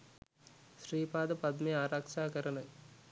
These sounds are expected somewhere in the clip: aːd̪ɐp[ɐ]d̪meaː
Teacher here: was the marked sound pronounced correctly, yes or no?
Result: yes